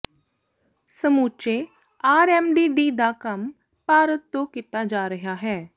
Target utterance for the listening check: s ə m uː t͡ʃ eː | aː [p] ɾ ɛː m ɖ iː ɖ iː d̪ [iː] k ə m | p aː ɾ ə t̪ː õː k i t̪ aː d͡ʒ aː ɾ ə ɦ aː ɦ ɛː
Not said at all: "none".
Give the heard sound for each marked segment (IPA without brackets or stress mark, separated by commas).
none, aː